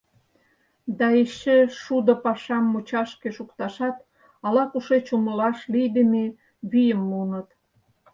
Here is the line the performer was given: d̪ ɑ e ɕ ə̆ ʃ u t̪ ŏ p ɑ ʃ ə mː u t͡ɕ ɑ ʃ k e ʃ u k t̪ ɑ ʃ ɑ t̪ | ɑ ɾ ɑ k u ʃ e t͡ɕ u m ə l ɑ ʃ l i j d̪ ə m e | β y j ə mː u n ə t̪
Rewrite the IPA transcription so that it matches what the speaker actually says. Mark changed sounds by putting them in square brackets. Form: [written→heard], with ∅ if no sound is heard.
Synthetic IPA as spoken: d̪ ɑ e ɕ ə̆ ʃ u [t̪→d̪] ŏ p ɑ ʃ [ə→ɑ] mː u t͡ɕ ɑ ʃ k e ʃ u k t̪ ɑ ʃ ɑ t̪ | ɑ [ɾ→l] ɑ k u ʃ e t͡ɕ u m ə l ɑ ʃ l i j d̪ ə m e | β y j ə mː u n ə t̪